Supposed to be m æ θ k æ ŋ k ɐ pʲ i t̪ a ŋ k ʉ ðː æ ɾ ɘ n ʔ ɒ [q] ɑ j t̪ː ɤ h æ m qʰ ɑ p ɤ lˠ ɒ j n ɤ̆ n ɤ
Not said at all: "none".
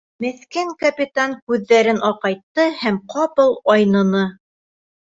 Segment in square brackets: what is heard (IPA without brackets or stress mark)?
q